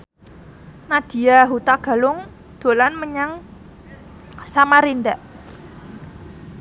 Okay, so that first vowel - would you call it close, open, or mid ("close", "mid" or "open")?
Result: open